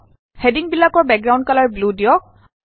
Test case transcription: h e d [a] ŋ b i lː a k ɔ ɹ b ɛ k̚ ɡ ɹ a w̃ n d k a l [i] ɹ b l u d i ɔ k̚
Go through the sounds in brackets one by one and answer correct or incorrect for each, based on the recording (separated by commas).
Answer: incorrect, incorrect